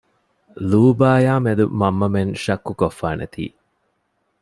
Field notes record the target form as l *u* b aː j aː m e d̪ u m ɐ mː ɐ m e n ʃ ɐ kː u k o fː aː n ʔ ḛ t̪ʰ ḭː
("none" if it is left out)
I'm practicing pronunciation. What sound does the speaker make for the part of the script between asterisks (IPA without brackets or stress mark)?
uː